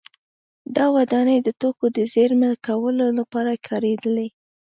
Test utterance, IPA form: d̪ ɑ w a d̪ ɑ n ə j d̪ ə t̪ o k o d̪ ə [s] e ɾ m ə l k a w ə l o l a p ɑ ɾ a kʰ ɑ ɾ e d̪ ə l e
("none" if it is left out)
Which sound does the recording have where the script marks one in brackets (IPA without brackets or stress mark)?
z